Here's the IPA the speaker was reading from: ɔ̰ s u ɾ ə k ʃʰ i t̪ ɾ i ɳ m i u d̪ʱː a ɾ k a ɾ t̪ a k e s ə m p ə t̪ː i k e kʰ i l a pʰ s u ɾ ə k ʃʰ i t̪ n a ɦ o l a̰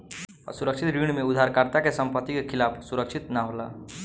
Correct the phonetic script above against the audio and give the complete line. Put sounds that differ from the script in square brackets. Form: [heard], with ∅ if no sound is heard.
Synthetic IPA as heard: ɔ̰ s u ɾ ə k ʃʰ i t̪ ɾ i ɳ m [e] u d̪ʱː a ɾ k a ɾ t̪ a k e s ə m p ə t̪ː i k e kʰ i l a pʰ s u ɾ ə k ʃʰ i t̪ n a ɦ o l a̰

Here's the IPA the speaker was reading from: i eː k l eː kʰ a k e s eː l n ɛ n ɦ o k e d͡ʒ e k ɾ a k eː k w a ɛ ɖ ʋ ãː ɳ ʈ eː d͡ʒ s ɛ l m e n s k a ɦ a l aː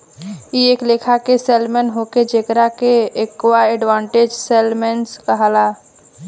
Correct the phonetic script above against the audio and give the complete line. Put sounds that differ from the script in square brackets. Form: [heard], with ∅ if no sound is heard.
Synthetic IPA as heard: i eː k l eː kʰ a k e s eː l [m] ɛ n ɦ o k e d͡ʒ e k ɾ a k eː k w a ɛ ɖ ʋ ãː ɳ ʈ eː d͡ʒ s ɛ l m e n s k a ɦ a l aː

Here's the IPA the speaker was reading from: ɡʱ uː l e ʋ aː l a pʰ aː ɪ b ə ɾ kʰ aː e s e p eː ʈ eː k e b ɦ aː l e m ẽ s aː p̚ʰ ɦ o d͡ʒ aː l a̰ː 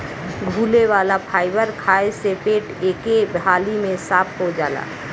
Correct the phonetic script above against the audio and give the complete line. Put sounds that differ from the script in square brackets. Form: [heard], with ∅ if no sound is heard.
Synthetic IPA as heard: ɡʱ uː l e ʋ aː l a pʰ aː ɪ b ə ɾ kʰ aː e s e p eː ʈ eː k e b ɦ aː l [i] m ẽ s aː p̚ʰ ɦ o d͡ʒ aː l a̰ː

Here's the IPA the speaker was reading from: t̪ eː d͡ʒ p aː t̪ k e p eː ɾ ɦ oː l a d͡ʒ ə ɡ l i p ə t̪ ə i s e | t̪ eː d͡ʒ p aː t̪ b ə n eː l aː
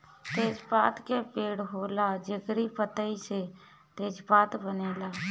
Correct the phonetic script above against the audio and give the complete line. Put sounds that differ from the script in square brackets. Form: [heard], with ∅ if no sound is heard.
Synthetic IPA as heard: t̪ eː d͡ʒ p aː t̪ k e p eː [ɽ] ɦ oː l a d͡ʒ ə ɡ [ɾ] i p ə t̪ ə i s e | t̪ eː d͡ʒ p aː t̪ b ə n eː l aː

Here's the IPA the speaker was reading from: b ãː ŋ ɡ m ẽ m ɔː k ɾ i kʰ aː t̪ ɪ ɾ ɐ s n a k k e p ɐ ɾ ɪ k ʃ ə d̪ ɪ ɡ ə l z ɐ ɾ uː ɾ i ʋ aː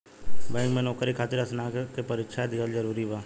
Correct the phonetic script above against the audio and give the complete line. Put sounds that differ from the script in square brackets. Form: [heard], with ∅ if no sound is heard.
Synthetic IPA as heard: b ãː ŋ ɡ m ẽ [n] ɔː k ɾ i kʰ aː t̪ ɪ ɾ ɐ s n a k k e p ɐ ɾ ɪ k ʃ [a] d̪ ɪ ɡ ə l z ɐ ɾ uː ɾ i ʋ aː

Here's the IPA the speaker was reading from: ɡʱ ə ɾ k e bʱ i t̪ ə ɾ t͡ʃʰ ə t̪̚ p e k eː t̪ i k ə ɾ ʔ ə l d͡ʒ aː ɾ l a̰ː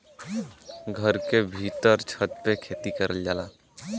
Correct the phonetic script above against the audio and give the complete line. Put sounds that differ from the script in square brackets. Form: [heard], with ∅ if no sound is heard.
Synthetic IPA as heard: ɡʱ ə ɾ k e bʱ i t̪ ə ɾ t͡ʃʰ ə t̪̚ p e [kʰ] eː t̪ i k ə ɾ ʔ ə l d͡ʒ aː [∅] l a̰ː

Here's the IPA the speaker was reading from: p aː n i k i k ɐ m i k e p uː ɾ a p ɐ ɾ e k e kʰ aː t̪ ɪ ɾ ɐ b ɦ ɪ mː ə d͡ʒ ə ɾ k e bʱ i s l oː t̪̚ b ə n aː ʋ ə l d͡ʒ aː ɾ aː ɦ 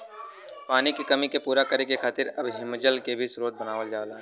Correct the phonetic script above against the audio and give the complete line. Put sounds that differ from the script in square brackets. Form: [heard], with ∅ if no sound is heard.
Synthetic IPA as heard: p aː n i k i k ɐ m i k e p uː ɾ a [k] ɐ ɾ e k e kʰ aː t̪ ɪ ɾ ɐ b ɦ ɪ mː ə d͡ʒ ə [l] k e bʱ i s [ɾ] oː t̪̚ b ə n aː ʋ ə l d͡ʒ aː [l] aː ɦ

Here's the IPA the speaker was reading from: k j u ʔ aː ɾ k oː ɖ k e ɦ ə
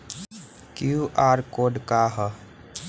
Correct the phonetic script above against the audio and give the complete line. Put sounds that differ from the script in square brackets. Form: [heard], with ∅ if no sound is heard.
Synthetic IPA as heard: k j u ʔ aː ɾ k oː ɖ k [a] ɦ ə

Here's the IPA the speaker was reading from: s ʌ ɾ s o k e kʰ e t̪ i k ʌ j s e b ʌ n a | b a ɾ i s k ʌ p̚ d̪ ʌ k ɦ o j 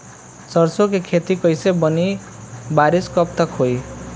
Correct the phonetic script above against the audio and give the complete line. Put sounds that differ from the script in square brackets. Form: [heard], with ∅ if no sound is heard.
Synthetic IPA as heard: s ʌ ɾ s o k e kʰ e t̪ i k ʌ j s e b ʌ n [i] | b a ɾ i s k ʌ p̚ [t̪] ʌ k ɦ o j

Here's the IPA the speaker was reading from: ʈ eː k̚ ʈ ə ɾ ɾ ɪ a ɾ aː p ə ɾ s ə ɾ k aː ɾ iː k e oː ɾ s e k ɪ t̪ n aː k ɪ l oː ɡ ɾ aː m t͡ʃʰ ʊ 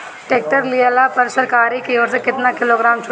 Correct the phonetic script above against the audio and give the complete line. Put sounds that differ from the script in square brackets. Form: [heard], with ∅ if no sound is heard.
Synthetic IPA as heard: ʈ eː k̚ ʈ ə ɾ [l] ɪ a [l] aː p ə ɾ s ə ɾ k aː ɾ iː k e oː ɾ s e k ɪ t̪ n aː k ɪ l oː ɡ ɾ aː m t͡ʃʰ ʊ

